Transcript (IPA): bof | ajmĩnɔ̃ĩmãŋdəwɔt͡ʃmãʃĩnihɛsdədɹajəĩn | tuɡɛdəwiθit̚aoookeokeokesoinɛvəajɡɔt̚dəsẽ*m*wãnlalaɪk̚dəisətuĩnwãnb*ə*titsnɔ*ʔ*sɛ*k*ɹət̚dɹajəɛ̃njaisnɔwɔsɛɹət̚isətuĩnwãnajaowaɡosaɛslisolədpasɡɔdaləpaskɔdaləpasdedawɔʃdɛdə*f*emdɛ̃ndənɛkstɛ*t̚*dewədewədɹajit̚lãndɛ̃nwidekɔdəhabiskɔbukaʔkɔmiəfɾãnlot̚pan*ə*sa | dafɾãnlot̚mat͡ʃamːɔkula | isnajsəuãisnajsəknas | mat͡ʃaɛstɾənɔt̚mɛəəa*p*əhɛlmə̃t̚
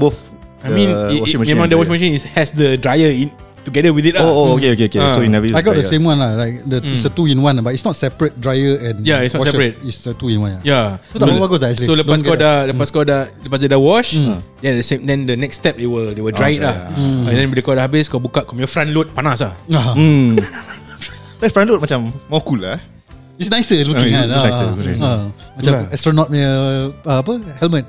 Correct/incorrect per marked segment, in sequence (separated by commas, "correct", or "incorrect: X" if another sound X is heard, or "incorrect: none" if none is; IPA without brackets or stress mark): correct, incorrect: a, incorrect: t, incorrect: p, incorrect: s, incorrect: p̚, incorrect: a, correct